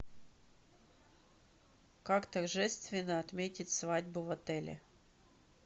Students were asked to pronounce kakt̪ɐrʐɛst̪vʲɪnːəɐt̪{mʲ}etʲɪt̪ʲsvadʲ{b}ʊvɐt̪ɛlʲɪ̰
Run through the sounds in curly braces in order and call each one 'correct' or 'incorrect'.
correct, correct

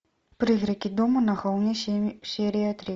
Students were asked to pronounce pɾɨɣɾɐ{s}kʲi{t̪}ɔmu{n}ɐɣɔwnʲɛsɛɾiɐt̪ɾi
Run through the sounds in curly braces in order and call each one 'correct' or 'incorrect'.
incorrect: none, incorrect: d̪, correct

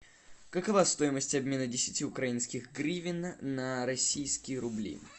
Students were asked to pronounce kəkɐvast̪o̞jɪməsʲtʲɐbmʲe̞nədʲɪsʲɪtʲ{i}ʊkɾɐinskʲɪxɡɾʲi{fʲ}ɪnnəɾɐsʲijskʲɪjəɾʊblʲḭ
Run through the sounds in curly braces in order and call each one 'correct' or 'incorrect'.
correct, incorrect: vʲ

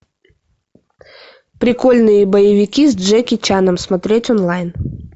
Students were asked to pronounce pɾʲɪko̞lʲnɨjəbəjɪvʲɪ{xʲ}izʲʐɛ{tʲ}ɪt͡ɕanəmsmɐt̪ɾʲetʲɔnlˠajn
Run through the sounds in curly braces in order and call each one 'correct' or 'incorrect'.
incorrect: kʲ, incorrect: kʲ

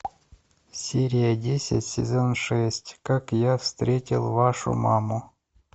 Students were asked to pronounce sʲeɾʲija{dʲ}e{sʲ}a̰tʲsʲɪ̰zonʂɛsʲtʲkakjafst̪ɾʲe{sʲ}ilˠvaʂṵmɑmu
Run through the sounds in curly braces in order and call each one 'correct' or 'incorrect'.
correct, correct, incorrect: tʲ

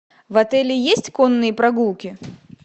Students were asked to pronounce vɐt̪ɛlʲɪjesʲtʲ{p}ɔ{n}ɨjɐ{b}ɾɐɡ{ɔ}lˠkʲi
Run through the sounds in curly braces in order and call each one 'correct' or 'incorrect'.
incorrect: k, incorrect: nː, incorrect: p, incorrect: u

